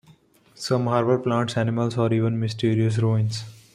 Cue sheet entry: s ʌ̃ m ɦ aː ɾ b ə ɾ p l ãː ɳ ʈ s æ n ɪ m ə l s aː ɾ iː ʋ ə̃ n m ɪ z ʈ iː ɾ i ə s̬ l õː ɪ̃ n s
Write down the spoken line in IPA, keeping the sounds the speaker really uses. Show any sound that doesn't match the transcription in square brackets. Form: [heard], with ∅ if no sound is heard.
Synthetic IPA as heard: s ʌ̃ m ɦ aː ɾ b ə ɾ p l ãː ɳ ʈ s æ n ɪ m ə l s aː ɾ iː ʋ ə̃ n m ɪ [s] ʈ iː ɾ i ə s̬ [ɾ] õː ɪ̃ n s